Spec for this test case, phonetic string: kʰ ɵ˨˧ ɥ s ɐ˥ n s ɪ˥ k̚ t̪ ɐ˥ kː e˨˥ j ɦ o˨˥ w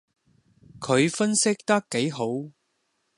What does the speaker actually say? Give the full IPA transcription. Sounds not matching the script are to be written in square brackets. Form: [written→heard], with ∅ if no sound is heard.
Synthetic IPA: kʰ ɵ˨˧ ɥ [s→f] ɐ˥ n s ɪ˥ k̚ t̪ ɐ˥ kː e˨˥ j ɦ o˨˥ w